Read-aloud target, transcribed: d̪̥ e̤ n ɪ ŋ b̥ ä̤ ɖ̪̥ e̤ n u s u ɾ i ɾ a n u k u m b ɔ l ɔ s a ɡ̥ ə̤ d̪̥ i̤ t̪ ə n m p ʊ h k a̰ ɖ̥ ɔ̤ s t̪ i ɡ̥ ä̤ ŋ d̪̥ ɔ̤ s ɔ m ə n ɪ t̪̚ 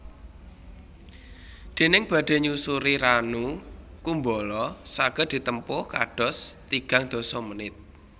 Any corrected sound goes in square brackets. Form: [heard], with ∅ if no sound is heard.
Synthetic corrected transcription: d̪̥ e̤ n ɪ ŋ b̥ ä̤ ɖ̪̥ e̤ [ɲ] u s u ɾ i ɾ a n u k u m b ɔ l ɔ s a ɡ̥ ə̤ d̪̥ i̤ t̪ ə [∅] m p ʊ h k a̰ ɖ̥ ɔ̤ s t̪ i ɡ̥ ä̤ ŋ d̪̥ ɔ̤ s ɔ m ə n ɪ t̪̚